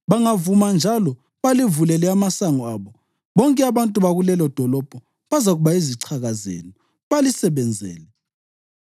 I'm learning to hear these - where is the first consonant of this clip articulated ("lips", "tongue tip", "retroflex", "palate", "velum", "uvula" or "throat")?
lips